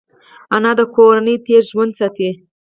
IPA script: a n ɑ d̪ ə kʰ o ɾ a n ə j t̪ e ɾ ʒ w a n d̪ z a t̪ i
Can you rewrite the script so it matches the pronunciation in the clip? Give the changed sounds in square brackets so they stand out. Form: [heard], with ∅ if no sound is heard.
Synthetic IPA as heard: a n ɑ d̪ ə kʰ o ɾ a n ə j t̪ e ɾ ʒ w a n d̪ [s] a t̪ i